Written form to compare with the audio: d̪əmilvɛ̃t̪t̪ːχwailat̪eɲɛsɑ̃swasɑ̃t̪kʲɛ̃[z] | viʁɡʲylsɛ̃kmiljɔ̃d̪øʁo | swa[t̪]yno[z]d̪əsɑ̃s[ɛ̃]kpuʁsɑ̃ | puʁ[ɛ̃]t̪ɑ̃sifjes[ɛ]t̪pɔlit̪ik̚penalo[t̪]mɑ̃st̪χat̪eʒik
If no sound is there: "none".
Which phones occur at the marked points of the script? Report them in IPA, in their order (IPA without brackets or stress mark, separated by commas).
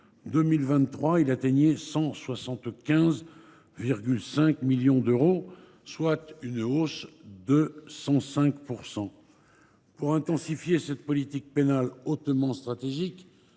z, t̪, s, ɛ̃, ɛ̃, ɛ, t̪